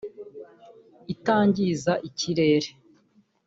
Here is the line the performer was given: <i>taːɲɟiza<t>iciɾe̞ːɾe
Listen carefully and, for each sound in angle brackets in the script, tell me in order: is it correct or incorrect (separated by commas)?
correct, incorrect